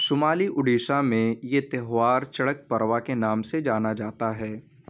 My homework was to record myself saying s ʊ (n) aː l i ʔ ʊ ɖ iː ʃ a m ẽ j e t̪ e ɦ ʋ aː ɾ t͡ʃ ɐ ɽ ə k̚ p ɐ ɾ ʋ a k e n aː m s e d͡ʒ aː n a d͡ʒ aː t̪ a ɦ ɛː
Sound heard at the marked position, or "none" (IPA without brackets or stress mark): m